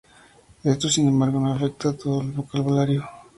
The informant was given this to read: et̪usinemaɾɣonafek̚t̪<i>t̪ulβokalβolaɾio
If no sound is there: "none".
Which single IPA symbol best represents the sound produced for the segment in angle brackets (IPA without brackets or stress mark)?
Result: a